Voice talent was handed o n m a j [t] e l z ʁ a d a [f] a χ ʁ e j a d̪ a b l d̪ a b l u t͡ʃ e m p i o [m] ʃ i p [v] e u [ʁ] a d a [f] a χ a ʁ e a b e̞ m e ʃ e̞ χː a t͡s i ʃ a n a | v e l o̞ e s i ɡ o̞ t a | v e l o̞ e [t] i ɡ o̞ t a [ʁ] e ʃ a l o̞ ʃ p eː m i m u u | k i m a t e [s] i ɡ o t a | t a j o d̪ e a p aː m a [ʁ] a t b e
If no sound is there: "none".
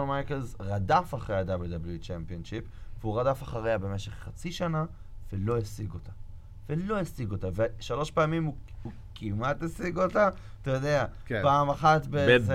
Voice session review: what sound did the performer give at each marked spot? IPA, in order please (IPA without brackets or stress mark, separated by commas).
k, f, n, v, ʁ, f, s, v, s, χ